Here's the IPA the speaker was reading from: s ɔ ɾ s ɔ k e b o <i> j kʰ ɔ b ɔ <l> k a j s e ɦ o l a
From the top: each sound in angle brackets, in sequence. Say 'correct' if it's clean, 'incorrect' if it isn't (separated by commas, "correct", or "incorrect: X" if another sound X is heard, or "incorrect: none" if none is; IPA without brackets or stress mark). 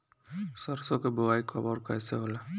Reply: incorrect: a, incorrect: ɾ